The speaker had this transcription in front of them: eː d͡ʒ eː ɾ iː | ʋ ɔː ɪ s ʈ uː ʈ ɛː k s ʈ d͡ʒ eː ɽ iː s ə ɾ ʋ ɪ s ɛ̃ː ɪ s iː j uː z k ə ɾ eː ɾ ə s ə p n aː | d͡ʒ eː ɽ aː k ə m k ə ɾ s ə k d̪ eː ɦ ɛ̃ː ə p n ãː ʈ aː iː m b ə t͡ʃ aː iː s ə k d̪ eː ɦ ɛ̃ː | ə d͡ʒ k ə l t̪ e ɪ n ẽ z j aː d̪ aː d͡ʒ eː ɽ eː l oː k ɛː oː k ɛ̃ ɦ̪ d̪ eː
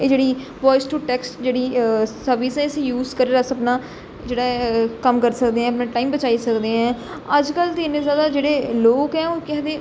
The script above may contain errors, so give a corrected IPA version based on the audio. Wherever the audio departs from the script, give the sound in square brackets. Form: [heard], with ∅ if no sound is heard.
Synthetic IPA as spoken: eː d͡ʒ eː [ɽ] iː | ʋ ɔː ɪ s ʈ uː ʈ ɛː k s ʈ d͡ʒ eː ɽ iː s ə ɾ ʋ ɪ s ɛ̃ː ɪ s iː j uː z k ə ɾ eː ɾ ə s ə p n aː | d͡ʒ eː ɽ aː k ə m k ə ɾ s ə k d̪ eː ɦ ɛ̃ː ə p n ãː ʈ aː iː m b ə t͡ʃ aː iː s ə k d̪ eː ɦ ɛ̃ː | ə d͡ʒ k ə l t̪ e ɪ n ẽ z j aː d̪ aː d͡ʒ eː ɽ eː l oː k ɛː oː k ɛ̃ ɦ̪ d̪ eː